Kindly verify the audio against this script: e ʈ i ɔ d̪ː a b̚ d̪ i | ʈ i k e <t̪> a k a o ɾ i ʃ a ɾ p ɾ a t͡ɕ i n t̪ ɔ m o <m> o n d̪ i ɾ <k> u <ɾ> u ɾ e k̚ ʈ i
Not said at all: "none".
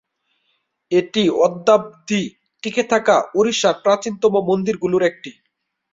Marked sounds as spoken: t̪ʰ, m, ɡ, l

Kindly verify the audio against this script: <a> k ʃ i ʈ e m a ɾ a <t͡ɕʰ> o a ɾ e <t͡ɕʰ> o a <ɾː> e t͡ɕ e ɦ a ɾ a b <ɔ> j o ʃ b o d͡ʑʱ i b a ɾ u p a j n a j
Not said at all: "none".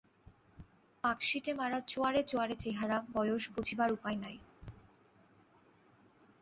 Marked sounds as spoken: a, t͡ɕ, t͡ɕ, ɾ, ɔ

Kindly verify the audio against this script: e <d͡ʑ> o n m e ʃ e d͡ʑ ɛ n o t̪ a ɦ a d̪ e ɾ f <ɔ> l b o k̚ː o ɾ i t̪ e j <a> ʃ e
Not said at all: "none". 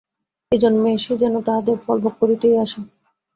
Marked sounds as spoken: d͡ʑ, ɔ, a

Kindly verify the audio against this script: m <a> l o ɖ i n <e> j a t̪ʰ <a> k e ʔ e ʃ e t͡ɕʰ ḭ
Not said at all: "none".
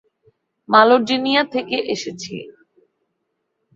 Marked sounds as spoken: a, i, e

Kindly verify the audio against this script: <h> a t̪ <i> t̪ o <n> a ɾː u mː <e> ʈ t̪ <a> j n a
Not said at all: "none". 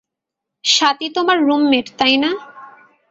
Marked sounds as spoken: ʃ, i, m, e, a

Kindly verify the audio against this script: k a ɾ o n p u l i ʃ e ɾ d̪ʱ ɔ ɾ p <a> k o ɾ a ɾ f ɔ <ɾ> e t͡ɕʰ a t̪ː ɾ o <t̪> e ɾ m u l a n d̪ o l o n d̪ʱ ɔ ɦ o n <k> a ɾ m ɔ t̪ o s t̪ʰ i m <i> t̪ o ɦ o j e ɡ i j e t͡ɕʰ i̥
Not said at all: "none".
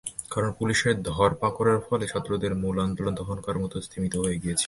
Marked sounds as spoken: a, l, d̪, k, i

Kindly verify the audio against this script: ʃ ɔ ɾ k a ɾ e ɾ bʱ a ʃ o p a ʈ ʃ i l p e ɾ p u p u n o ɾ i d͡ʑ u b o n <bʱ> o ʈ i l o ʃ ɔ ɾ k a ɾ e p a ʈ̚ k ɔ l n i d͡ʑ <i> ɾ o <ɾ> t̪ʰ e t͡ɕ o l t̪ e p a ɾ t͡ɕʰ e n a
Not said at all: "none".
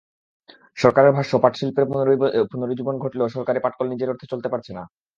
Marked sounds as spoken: ɡʱ, e, ɾ

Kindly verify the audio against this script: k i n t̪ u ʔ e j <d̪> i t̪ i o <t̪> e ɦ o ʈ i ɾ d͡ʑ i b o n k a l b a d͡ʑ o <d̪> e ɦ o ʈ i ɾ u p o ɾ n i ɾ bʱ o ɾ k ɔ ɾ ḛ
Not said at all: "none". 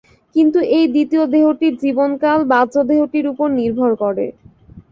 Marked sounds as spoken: d̪, d̪, d̪

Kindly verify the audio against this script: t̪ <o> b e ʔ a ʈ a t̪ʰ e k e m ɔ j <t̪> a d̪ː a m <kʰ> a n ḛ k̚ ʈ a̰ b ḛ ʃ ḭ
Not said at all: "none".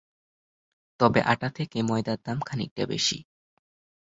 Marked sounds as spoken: ɔ, d̪, kʰ

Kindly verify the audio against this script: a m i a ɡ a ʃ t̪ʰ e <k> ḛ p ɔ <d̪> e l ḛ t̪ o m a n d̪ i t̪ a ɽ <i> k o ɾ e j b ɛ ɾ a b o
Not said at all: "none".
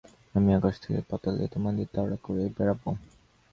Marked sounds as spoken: k, t̪, a

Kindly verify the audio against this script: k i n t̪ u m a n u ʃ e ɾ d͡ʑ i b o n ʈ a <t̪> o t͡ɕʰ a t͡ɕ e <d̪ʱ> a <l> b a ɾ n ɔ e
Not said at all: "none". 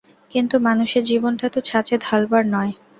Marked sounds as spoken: t̪, d̪ʱ, l

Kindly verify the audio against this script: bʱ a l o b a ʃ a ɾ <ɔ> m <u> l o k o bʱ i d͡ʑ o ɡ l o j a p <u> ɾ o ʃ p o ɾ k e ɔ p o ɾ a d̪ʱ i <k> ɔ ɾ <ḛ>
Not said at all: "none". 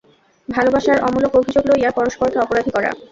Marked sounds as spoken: ɔ, u, ɔ, k, a̰

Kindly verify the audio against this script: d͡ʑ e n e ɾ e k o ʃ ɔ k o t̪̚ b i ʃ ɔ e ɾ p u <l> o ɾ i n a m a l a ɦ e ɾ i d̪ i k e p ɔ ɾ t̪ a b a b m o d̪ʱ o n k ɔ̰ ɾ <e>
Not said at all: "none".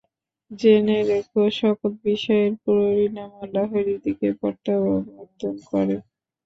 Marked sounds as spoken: ɾ, e

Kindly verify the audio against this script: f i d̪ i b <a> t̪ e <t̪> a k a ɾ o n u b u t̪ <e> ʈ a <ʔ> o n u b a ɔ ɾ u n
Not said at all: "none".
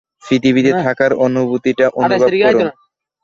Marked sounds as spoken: i, t̪ʰ, i, ʔ

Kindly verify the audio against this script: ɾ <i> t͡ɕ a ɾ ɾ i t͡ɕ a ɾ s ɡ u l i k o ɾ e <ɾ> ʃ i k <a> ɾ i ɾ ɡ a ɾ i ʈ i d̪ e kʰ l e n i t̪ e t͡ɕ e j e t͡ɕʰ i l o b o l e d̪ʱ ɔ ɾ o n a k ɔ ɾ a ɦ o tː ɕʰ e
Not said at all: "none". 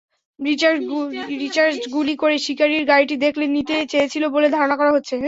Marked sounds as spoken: i, none, a

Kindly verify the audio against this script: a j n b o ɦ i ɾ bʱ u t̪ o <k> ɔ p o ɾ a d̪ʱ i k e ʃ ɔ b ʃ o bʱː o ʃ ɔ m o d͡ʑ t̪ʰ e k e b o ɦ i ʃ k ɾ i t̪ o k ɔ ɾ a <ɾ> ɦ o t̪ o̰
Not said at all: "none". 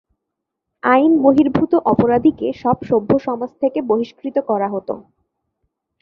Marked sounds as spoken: ʔ, none

